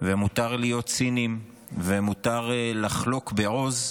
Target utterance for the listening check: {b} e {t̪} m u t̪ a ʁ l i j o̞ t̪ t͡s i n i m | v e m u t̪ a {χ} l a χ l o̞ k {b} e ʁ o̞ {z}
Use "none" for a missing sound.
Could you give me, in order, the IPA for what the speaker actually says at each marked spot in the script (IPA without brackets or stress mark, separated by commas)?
v, none, ʁ, b, z